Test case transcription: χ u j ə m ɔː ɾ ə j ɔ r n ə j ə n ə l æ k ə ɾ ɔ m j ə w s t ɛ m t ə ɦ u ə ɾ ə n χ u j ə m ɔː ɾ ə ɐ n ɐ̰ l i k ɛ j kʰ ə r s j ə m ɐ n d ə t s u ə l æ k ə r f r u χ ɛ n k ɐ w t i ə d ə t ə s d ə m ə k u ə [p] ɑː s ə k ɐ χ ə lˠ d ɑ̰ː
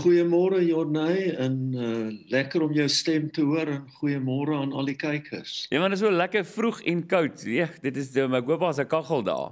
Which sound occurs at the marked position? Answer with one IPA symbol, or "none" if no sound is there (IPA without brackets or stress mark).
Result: p